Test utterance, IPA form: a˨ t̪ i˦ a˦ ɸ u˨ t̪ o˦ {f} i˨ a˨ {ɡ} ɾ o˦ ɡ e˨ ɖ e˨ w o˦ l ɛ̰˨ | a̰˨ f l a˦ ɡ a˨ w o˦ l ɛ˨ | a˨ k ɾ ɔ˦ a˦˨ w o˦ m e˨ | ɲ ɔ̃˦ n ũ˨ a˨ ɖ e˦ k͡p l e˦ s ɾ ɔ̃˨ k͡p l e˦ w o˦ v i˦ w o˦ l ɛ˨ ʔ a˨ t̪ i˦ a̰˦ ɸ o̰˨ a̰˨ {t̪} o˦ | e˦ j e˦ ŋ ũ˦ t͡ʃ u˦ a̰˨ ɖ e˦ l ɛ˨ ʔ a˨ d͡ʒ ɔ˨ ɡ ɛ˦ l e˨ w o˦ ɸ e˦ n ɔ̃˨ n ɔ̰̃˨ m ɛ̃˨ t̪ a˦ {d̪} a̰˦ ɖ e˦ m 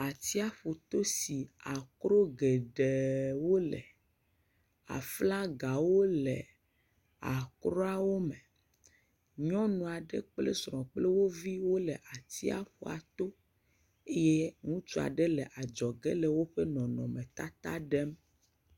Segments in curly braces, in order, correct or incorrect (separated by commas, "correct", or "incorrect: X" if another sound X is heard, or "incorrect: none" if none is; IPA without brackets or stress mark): incorrect: s, incorrect: k, correct, incorrect: t̪